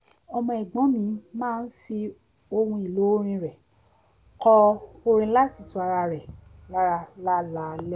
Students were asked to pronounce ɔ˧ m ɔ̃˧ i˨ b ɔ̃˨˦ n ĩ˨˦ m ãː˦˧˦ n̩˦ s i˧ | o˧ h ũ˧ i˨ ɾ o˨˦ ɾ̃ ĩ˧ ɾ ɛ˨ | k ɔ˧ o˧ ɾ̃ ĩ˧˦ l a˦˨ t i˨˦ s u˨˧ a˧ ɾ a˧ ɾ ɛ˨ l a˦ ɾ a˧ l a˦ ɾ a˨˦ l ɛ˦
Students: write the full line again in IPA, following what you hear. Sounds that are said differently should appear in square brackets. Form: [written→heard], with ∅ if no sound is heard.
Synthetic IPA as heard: ɔ˧ m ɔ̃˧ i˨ [b→ɡ͡b] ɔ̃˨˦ [n→m] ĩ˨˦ m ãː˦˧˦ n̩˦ [s→f] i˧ | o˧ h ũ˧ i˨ [ɾ→l] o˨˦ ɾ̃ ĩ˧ ɾ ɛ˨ | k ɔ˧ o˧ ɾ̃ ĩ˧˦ l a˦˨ t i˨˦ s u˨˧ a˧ ɾ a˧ ɾ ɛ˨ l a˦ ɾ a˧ l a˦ [ɾ→l] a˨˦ l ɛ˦

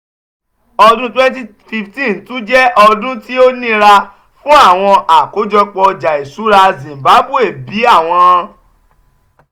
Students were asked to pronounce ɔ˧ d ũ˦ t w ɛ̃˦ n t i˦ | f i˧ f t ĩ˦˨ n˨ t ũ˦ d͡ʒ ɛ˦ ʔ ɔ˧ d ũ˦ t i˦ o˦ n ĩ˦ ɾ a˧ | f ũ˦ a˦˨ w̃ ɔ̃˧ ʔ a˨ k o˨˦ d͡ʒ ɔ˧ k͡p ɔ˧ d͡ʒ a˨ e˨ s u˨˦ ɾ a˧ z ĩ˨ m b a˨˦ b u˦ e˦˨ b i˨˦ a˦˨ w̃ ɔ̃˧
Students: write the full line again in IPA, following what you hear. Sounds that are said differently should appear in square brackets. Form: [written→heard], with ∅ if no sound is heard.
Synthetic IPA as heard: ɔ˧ d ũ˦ t w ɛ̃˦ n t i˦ | f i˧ f t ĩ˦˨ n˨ t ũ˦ d͡ʒ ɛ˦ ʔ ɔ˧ d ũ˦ t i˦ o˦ n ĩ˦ ɾ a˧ | f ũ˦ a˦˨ w̃ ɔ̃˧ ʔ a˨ k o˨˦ d͡ʒ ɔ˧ k͡p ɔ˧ d͡ʒ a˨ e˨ s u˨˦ ɾ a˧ z ĩ˨ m b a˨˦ b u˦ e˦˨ b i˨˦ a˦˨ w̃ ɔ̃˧

